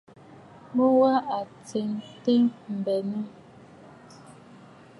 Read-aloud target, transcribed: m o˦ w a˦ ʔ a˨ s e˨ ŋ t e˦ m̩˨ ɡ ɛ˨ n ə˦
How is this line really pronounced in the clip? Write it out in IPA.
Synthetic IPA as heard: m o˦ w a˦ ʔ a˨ t͡s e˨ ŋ t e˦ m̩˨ b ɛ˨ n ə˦